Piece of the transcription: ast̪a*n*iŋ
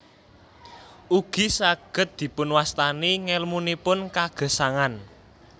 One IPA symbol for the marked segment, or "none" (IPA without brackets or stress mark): n